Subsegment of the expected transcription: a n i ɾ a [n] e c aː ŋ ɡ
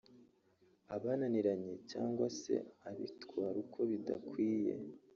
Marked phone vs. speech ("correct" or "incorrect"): incorrect